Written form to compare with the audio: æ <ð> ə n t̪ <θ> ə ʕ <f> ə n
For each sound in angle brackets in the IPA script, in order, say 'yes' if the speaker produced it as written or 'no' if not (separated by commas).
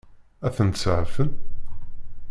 no, no, yes